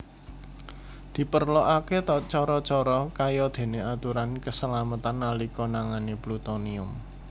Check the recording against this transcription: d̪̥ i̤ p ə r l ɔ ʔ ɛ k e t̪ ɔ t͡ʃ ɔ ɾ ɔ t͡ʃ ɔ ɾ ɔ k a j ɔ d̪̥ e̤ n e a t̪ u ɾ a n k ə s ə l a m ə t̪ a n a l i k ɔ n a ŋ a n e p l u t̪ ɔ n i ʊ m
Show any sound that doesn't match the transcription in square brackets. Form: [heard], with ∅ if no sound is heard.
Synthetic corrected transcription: d̪̥ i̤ p ə r l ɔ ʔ [a] k e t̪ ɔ t͡ʃ ɔ ɾ ɔ t͡ʃ ɔ ɾ ɔ k a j ɔ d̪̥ e̤ n e a t̪ u ɾ a n k ə s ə l a m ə t̪ a n a l i k ɔ n a ŋ a n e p l u t̪ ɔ n i ʊ m